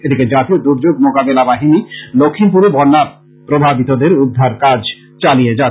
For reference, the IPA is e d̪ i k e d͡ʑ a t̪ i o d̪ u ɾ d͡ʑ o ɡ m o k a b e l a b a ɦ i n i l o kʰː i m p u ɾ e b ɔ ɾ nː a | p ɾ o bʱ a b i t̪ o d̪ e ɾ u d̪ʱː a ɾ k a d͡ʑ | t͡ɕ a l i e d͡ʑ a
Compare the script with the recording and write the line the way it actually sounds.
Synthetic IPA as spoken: e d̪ i k e d͡ʑ a t̪ i o d̪ u ɾ d͡ʑ o ɡ m o k a b e l a b a ɦ i n i l o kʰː i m p u ɾ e b ɔ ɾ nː a | p ɾ o bʱ a b i t̪ o d̪ e ɾ u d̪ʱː a ɾ k a d͡ʑ | t͡ɕ a l i e d͡ʑ a